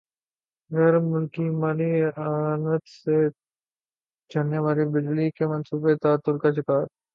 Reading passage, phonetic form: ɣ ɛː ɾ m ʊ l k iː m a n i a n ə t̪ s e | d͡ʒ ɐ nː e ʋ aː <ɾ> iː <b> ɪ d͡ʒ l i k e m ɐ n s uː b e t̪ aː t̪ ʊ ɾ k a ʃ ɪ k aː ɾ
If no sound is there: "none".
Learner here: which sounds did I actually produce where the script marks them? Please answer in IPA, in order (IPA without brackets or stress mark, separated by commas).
ɾ, b